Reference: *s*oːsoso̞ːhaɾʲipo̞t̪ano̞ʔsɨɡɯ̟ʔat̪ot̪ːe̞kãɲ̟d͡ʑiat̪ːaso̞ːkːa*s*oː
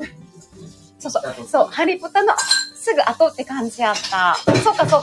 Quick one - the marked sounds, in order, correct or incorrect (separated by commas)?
correct, correct